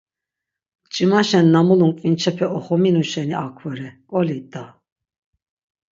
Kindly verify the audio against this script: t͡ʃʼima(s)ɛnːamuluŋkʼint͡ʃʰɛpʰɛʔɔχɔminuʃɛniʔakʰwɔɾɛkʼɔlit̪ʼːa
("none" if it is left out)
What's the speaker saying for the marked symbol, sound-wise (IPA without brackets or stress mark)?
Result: ʃ